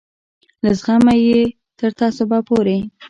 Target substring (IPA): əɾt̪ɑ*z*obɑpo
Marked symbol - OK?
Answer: no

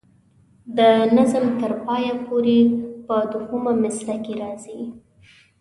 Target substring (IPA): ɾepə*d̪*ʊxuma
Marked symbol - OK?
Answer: yes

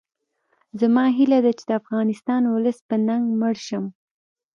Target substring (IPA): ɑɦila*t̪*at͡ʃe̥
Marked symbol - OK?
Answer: no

